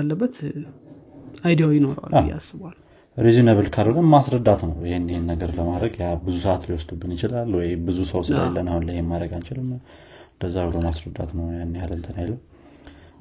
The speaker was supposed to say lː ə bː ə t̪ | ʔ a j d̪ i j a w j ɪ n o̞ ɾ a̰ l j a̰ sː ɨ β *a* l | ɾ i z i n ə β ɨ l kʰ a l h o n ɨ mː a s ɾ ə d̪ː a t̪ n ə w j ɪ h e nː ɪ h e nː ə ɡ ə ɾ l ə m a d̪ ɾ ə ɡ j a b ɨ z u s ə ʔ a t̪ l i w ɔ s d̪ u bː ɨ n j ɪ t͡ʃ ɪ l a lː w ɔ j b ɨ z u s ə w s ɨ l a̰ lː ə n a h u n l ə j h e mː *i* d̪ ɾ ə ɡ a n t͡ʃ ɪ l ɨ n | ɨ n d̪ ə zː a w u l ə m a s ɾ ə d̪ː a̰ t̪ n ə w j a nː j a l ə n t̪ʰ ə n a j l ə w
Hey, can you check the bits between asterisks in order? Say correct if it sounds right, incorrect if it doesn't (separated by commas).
correct, incorrect